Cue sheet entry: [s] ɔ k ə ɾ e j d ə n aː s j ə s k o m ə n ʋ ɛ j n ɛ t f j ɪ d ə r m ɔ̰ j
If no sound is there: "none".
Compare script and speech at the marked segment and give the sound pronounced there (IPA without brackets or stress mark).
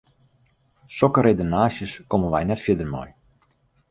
s